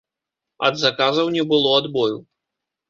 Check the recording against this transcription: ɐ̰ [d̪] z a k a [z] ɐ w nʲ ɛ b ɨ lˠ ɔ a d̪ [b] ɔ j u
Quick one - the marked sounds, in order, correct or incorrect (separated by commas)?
correct, correct, correct